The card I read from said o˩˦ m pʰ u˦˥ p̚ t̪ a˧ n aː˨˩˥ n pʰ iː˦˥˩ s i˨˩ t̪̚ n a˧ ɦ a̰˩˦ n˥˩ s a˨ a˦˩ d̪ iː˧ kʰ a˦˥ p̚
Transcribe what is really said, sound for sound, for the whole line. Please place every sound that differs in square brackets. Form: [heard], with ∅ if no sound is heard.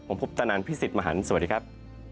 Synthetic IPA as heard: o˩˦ m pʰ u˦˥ p̚ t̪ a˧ n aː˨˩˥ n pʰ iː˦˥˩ s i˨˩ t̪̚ [m] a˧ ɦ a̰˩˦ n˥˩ s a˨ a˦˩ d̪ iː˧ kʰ a˦˥ p̚